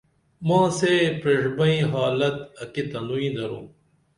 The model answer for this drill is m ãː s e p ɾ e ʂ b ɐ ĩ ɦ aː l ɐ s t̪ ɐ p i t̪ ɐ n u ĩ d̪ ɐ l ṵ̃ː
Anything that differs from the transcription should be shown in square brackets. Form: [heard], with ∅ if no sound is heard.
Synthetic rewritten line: m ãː s e p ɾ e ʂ b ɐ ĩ ɦ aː l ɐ [∅] t̪ ɐ [k] i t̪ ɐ n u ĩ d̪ ɐ [ɾ] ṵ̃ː